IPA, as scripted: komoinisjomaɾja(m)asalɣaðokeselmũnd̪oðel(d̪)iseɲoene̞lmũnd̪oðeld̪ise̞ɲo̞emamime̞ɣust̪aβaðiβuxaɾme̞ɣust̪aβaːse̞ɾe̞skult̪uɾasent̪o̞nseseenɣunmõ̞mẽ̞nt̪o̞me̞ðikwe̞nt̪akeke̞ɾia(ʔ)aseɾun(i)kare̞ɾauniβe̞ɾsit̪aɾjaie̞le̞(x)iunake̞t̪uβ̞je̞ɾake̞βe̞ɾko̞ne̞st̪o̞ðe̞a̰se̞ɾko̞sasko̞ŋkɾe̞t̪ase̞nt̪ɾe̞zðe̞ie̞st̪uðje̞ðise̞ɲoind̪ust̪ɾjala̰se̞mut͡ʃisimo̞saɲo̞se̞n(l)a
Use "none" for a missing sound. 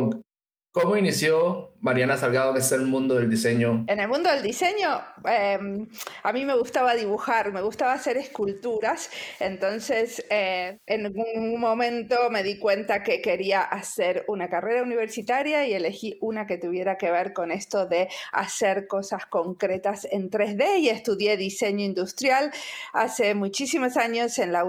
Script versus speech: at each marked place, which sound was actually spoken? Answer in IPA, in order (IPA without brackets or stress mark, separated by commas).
n, d̪, ʔ, a, x, l